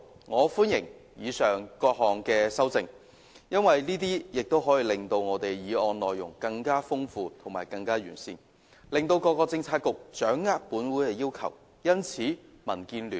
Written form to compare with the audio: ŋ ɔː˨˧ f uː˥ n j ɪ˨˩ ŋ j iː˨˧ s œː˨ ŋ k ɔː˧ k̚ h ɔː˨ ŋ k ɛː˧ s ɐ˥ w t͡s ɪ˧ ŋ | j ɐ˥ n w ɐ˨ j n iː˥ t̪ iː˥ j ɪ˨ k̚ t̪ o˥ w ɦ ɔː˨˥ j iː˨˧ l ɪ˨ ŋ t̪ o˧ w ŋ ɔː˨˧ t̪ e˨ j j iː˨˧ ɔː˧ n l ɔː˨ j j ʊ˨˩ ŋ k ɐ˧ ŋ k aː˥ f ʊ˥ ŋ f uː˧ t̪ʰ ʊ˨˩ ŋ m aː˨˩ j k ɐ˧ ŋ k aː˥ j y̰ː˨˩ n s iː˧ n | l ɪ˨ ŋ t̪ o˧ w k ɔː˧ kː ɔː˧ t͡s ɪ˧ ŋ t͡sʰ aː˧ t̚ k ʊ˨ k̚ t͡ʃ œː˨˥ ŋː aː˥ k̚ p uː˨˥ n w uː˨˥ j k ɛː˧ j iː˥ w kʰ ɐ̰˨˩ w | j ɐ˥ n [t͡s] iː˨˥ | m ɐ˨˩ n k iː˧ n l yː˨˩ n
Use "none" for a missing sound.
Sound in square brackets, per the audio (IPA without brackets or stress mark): t͡sʰ